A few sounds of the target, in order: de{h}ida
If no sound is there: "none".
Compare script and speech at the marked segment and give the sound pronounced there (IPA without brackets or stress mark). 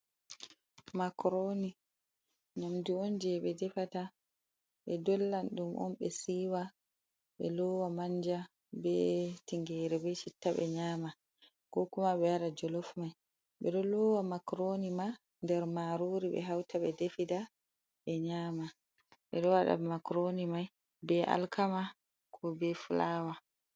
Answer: f